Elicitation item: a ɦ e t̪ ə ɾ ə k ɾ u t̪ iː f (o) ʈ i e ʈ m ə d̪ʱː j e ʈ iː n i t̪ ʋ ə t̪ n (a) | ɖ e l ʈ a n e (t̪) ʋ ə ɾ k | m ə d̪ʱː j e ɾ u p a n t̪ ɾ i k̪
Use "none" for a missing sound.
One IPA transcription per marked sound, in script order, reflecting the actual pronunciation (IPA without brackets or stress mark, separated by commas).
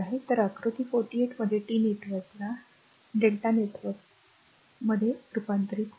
o, a, t̪